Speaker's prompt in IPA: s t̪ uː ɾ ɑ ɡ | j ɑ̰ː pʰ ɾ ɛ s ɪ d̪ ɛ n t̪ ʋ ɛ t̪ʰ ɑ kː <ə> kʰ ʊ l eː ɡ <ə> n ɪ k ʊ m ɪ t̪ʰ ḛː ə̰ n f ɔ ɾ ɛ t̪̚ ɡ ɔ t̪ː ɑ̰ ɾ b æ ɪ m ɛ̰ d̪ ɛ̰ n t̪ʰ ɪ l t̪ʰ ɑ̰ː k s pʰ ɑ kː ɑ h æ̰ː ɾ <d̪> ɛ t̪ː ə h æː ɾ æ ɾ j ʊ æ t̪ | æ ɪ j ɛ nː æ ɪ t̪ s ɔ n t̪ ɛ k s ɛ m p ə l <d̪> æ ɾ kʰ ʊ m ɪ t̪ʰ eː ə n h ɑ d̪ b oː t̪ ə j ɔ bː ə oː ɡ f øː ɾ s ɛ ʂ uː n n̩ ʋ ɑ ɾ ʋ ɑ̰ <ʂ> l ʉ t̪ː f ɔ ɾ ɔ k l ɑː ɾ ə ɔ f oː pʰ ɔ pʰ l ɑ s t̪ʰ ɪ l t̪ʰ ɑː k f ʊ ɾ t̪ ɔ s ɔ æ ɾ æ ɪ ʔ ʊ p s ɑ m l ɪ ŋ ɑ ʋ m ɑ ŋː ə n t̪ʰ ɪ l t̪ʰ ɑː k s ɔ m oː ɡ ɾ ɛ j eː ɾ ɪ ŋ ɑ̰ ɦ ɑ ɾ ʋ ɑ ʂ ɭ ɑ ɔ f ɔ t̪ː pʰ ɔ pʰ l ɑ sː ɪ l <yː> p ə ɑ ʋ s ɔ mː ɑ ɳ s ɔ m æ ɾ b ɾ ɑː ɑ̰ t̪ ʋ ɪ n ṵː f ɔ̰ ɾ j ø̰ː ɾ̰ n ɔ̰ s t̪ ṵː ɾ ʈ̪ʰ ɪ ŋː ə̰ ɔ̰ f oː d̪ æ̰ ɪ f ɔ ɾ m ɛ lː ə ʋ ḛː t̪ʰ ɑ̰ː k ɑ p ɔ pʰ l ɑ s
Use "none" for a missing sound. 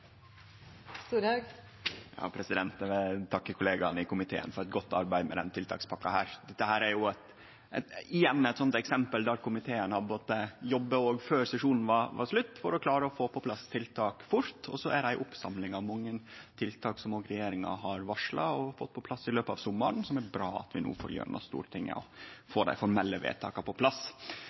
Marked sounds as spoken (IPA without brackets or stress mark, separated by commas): ə, ɑ, d̪, d̪, ʂ, øː